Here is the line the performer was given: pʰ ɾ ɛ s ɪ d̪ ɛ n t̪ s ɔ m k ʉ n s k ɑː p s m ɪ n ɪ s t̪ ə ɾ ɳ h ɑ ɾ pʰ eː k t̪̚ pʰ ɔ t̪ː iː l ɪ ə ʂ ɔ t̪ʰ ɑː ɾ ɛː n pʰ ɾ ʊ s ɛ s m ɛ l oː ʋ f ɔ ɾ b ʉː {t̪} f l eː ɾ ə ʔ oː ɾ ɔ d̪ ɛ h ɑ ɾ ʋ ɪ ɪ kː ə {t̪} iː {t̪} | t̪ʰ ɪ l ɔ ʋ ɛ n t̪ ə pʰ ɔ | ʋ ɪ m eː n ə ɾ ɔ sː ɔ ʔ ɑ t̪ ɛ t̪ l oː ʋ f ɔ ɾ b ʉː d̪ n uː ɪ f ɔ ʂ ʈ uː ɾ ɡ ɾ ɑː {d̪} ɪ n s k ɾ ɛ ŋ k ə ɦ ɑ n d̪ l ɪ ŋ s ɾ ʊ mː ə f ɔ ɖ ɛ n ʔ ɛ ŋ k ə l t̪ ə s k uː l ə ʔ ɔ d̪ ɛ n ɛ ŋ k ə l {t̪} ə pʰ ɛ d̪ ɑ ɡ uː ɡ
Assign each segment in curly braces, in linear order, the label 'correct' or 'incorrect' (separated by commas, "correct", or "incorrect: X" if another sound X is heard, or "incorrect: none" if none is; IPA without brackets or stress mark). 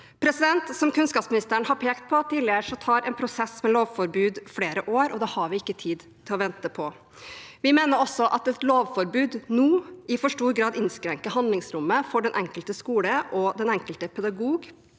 incorrect: d̪, incorrect: t̪ʰ, incorrect: d̪, correct, correct